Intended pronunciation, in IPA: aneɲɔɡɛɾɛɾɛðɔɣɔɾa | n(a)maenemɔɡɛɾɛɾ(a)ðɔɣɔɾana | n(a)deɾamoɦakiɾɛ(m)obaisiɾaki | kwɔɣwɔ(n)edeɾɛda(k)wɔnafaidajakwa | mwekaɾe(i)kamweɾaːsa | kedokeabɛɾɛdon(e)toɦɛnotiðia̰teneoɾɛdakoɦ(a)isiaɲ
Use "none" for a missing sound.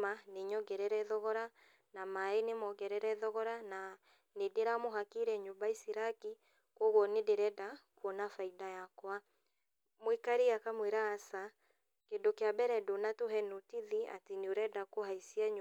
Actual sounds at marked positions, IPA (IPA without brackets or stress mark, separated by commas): a, ɛ, e, ɲ, n, k, a, a, a